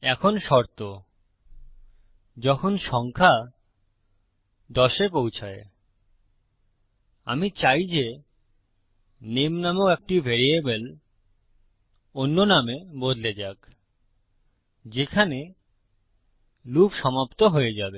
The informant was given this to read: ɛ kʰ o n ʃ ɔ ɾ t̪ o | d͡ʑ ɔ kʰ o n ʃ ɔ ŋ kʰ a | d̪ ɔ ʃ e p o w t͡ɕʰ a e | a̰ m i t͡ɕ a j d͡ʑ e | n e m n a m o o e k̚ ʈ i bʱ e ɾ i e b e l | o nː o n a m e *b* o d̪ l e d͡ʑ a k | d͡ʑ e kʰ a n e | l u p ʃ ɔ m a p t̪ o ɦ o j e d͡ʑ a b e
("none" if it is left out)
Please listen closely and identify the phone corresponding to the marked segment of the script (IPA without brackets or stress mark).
b